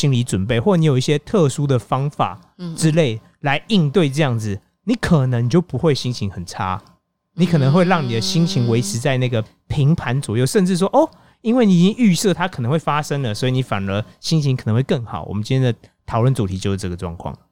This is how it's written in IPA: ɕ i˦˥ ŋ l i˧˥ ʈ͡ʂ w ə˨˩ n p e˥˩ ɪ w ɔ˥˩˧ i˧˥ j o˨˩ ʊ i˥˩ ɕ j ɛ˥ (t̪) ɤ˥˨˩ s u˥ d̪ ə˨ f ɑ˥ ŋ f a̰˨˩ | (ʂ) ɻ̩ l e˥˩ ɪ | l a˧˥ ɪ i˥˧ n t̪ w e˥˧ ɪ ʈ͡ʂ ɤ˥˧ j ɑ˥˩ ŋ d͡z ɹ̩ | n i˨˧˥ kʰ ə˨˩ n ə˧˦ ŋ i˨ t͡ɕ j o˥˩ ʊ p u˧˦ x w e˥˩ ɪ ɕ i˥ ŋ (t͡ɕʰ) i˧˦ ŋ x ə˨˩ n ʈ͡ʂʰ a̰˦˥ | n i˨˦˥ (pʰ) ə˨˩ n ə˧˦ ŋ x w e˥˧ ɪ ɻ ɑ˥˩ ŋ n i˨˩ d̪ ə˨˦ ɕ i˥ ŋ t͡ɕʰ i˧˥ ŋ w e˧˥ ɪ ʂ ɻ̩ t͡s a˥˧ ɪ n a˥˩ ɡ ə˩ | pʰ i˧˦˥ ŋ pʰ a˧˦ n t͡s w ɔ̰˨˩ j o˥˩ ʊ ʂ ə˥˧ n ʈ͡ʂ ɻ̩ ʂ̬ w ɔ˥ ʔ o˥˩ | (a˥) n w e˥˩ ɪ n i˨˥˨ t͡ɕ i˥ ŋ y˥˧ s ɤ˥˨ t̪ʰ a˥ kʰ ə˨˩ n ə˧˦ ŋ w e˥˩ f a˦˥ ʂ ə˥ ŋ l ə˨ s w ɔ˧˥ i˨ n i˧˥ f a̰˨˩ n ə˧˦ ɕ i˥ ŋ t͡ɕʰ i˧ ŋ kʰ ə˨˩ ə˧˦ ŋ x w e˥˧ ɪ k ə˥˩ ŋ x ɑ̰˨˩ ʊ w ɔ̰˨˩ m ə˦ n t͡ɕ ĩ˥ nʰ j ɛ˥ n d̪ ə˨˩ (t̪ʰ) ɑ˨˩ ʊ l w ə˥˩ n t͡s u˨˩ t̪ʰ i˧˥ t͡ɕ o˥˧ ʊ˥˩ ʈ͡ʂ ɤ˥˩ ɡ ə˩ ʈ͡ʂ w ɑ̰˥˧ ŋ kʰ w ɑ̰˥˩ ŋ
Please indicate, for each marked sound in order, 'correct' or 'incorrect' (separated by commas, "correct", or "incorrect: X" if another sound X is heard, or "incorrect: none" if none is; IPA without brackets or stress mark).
incorrect: t̪ʰ, incorrect: ʈ͡ʂ, correct, incorrect: kʰ, incorrect: i˥, correct